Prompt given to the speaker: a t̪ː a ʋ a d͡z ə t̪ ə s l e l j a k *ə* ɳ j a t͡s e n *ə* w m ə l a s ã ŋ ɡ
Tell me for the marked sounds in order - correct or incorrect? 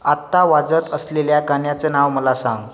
incorrect: a, incorrect: a

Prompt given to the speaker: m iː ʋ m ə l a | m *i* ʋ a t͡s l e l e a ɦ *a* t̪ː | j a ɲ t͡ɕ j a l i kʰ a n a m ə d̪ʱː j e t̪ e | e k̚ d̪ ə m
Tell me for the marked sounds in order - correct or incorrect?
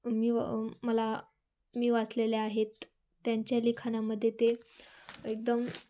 incorrect: iː, incorrect: e

